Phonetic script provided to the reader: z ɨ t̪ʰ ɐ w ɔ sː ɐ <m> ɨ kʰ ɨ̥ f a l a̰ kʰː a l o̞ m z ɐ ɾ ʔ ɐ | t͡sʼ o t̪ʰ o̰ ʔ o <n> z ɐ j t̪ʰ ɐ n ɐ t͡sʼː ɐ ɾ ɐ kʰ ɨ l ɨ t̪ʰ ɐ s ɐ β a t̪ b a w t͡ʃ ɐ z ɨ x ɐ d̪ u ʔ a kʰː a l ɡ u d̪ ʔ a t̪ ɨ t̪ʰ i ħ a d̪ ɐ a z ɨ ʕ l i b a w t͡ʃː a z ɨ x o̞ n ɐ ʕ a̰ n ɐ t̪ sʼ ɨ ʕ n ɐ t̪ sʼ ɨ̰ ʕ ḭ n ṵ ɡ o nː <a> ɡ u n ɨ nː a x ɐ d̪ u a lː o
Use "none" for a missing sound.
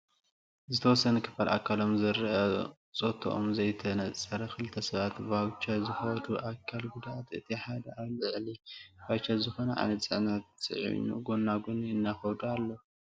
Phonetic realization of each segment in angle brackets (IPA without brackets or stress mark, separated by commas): n, m, a